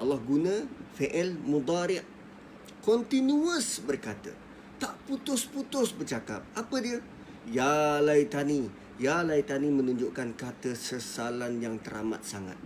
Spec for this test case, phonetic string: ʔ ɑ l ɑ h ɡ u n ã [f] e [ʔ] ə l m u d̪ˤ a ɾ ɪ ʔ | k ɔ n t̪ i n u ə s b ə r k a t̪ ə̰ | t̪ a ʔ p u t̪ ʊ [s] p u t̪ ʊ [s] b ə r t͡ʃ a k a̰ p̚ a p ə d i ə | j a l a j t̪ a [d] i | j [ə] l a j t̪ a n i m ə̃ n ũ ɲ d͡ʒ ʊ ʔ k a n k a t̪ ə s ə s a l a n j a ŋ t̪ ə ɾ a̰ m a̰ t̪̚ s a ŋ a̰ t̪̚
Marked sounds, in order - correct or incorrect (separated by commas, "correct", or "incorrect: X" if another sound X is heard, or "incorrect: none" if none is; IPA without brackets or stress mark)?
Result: correct, correct, correct, correct, incorrect: n, incorrect: a